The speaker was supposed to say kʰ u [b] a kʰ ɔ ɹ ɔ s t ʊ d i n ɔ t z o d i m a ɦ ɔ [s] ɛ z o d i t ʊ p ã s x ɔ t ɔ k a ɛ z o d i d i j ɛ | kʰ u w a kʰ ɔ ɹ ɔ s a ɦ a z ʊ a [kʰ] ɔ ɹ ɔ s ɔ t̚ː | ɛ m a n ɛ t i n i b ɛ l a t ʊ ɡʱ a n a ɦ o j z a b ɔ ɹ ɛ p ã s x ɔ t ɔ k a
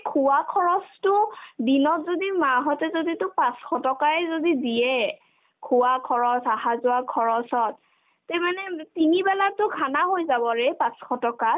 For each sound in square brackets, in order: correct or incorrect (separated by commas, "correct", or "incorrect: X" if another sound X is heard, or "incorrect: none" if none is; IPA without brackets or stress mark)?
incorrect: w, incorrect: t, correct